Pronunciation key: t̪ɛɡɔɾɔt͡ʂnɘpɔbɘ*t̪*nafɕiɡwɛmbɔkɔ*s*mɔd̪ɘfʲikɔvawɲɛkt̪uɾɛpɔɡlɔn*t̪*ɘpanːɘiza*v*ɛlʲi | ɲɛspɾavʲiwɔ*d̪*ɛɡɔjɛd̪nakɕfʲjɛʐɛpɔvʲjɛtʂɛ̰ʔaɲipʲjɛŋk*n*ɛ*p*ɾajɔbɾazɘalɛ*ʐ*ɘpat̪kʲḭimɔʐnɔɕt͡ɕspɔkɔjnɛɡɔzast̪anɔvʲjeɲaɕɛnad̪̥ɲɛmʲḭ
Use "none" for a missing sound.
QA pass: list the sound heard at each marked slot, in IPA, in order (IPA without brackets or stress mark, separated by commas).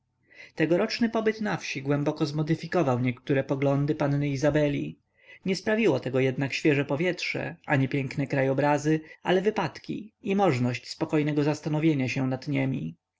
t̪, z, d̪, b, t̪, n, k, v